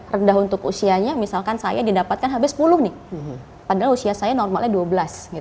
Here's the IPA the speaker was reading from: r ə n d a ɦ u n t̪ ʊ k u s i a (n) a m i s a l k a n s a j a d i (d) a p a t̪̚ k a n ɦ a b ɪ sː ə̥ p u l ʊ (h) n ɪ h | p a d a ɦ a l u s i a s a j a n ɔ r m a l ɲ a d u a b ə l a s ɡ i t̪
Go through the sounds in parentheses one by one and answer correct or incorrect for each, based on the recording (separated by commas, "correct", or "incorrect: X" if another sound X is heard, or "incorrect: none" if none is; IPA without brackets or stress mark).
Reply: incorrect: ɲ, correct, correct